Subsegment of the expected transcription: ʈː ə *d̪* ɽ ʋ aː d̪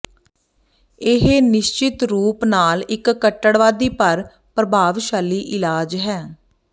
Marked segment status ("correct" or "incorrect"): incorrect